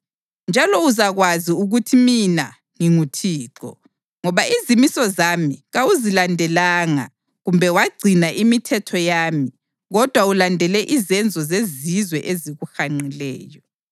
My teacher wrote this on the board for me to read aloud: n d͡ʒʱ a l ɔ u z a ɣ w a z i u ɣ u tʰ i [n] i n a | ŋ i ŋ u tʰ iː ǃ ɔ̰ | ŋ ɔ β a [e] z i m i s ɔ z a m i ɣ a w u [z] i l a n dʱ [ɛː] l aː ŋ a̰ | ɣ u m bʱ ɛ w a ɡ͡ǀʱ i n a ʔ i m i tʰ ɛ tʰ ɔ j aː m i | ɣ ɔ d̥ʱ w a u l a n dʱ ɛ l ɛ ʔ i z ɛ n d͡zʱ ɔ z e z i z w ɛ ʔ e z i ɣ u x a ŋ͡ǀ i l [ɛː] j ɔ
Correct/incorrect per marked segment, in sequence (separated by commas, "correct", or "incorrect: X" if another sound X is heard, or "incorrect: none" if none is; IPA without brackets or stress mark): incorrect: m, incorrect: i, correct, incorrect: ɛ, correct